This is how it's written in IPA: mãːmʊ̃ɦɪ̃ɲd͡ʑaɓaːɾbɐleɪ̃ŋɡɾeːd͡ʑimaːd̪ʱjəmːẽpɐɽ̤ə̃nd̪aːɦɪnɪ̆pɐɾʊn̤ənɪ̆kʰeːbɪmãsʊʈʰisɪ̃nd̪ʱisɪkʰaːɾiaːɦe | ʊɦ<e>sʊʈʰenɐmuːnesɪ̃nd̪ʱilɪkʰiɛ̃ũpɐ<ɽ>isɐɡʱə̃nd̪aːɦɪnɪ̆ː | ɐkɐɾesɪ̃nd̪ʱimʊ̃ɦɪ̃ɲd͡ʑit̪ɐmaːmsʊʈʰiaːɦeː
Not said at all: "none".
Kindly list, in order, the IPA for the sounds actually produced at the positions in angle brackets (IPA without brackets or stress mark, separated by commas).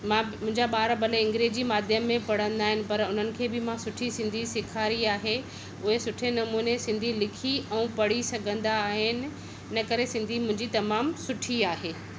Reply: e, ɽ